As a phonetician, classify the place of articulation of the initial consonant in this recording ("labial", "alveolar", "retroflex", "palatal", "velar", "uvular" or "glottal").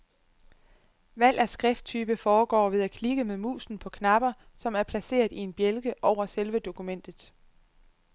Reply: labial